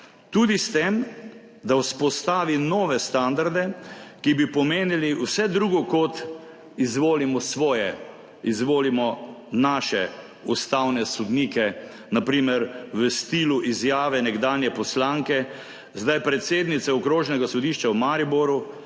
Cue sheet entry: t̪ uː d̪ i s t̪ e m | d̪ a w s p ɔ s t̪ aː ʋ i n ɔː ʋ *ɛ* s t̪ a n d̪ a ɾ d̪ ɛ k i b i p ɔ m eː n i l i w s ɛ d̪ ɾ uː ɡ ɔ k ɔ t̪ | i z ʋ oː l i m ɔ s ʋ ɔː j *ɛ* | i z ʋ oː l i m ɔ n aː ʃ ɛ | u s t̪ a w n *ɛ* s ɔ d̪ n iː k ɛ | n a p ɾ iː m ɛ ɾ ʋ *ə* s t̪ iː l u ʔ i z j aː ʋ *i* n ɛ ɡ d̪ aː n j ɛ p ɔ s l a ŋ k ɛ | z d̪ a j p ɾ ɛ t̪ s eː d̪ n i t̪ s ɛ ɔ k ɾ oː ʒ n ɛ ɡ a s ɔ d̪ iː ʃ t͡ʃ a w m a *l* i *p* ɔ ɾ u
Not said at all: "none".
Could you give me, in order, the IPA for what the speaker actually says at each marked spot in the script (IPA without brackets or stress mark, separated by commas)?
ɛ, ɛ, ɛ, ə, ɛ, ɾ, b